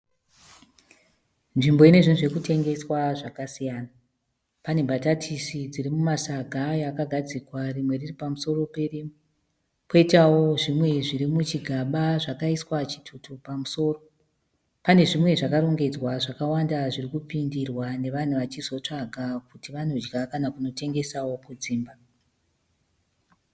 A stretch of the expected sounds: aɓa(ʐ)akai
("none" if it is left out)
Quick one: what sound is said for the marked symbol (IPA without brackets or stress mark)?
ʐ